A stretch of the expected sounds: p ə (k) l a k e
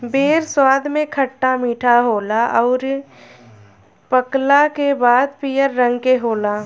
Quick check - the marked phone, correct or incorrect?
correct